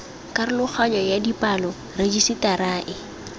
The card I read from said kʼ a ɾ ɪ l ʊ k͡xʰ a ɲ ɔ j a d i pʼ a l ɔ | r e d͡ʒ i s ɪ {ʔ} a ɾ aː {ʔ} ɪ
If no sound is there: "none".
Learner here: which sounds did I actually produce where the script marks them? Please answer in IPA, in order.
t, ʔ

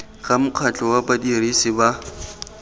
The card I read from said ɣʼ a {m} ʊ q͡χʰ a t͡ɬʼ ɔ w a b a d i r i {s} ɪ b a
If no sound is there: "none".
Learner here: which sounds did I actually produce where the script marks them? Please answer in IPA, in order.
m, s

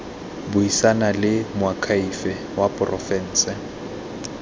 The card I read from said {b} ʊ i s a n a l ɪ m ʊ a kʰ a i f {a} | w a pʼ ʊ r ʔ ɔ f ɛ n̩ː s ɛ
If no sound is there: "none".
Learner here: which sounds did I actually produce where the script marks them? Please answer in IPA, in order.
b, ɛ

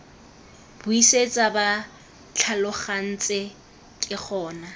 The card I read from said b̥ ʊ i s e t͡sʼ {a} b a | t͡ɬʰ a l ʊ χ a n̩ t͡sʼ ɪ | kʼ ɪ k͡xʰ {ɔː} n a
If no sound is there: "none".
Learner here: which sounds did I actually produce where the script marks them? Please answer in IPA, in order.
a, ɔː

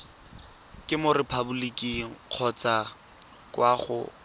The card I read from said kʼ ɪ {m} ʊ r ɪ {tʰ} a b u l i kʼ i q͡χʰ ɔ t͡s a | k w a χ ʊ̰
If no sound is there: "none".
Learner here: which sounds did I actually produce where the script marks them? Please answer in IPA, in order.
m, pʰ

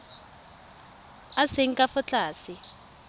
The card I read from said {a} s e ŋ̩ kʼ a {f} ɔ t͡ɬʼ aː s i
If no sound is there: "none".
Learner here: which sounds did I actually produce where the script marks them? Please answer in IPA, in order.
a, f

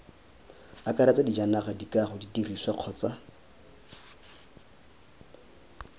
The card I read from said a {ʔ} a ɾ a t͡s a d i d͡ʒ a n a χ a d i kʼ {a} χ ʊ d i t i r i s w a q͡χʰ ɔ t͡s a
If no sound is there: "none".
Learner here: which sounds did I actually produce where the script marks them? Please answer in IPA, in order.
k, a

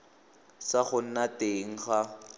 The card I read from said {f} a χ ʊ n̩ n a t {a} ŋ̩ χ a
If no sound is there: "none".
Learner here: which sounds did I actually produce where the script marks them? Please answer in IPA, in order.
s, e

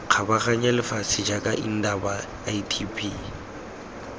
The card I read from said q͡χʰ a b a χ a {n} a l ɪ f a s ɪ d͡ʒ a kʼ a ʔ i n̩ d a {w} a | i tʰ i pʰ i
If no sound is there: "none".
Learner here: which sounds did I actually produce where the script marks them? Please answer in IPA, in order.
ɲ, b

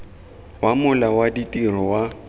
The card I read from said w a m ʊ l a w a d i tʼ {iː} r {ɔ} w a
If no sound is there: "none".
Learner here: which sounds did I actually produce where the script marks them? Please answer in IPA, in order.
i, ɔ

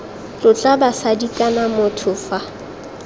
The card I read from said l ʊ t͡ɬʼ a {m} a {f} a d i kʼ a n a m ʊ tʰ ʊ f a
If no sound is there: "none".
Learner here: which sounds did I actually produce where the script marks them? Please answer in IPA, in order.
b, s

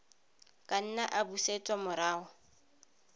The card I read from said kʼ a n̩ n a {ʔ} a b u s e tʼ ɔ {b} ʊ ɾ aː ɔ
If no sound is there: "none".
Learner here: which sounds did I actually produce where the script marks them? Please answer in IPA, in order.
ʔ, m

